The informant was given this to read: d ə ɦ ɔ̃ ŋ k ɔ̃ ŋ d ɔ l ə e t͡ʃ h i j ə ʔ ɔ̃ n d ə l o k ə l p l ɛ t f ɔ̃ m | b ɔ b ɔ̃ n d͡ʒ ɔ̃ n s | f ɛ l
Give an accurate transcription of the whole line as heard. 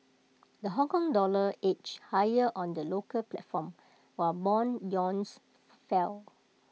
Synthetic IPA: d ə ɦ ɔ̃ ŋ k ɔ̃ ŋ d ɔ l ə e t͡ʃ h a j ə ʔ ɔ̃ n d ə l o k ə l p l ɛ t f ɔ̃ m | w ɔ b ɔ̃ n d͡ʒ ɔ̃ n s | f ɛ l